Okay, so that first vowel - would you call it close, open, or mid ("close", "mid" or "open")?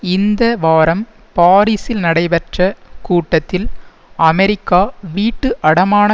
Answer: close